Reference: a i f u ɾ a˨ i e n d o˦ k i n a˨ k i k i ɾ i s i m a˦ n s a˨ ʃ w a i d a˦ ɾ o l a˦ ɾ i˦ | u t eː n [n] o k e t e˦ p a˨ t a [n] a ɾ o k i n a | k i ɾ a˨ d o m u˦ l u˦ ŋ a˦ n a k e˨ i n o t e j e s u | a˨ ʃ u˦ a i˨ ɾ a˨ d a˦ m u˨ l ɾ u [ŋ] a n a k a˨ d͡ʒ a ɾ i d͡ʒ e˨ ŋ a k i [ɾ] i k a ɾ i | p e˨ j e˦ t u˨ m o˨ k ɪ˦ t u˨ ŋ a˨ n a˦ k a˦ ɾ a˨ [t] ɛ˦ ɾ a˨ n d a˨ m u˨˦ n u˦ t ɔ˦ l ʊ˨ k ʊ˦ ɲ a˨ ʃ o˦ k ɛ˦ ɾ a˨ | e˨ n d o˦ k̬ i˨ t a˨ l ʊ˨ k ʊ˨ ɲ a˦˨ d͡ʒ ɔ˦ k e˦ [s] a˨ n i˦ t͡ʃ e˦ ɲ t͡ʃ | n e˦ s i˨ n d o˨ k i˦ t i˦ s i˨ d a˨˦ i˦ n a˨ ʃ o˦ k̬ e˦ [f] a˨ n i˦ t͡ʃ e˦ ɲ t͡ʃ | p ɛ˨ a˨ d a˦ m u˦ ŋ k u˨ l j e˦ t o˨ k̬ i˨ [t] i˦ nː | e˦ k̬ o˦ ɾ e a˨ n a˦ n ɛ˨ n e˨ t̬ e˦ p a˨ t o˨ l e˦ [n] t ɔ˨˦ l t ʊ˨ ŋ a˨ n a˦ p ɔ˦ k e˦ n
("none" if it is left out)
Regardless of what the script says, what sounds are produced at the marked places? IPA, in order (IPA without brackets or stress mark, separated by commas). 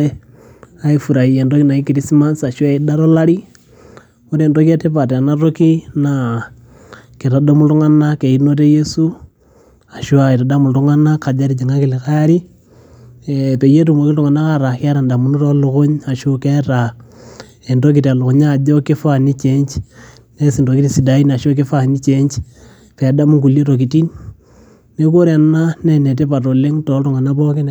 d, n, ŋ, l, k, f, f, t, ŋ